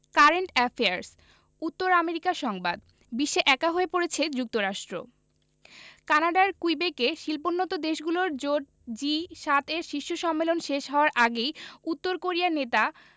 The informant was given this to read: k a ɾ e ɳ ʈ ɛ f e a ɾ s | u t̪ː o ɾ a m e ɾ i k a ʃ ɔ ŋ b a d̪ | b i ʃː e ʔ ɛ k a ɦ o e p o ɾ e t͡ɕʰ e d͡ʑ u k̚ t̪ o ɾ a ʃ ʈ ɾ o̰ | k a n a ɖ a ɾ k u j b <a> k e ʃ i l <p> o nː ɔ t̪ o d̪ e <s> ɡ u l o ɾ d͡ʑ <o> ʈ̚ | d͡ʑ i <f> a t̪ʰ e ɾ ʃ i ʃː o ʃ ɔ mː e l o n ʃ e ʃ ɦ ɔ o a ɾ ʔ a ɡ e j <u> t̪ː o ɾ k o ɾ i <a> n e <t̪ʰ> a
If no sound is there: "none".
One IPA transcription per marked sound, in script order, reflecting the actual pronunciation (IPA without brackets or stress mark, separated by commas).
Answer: e, p, ʃ, o, ʃ, u, a, t̪